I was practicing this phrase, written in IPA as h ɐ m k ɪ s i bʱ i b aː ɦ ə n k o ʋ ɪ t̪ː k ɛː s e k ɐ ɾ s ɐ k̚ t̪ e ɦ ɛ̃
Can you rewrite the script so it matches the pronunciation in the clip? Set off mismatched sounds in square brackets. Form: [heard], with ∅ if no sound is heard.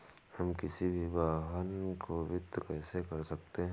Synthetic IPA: h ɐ m k ɪ s i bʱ i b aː ɦ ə n k o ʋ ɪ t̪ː k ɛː s e k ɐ ɾ s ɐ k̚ t̪ e ɦ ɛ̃